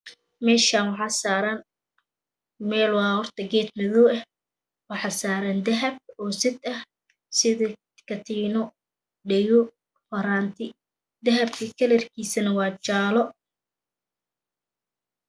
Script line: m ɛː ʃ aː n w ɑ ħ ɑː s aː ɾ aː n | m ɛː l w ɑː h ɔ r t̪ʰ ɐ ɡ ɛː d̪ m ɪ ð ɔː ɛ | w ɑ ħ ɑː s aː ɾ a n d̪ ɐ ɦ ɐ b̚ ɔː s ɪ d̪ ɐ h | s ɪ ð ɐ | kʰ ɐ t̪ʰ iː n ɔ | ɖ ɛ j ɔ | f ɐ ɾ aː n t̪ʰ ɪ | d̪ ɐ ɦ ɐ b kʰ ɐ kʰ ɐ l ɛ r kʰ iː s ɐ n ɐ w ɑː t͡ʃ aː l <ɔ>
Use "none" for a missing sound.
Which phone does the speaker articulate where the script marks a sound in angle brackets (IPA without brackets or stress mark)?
ɔ